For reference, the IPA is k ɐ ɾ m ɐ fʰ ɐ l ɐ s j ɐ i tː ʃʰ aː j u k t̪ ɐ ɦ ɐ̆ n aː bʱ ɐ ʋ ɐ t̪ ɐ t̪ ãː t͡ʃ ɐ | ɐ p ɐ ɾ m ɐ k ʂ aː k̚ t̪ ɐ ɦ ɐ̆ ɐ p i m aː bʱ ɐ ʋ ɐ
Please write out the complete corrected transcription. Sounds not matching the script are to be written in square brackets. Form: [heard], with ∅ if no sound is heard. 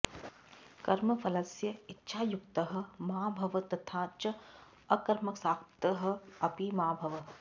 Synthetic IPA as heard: k ɐ ɾ m ɐ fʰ ɐ l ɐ s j ɐ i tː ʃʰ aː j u k t̪ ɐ ɦ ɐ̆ [m] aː bʱ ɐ ʋ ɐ t̪ ɐ [t̪ʰ] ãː t͡ʃ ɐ | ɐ [k] ɐ ɾ m ɐ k [s] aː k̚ t̪ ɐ ɦ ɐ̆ ɐ p i m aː bʱ ɐ ʋ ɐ